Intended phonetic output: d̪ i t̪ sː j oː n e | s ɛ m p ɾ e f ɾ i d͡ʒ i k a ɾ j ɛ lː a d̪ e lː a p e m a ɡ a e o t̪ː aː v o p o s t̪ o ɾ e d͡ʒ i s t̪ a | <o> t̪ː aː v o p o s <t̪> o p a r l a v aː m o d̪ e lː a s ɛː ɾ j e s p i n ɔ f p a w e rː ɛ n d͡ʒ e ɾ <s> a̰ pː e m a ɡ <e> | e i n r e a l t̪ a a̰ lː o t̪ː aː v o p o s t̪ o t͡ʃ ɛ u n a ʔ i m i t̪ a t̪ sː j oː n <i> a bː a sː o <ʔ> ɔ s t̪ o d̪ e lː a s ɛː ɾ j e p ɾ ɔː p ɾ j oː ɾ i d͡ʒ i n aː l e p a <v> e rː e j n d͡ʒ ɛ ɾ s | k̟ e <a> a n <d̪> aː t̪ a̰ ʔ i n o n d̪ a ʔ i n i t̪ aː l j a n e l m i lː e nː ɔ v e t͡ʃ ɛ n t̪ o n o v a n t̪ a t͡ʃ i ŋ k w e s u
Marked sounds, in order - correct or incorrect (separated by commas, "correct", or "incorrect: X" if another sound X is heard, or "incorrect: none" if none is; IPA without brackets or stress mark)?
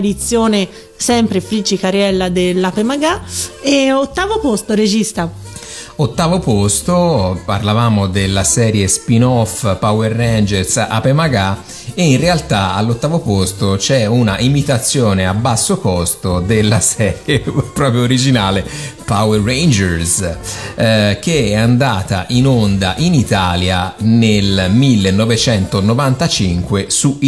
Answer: correct, correct, correct, incorrect: a, incorrect: e, incorrect: k, incorrect: w, incorrect: ɛ, correct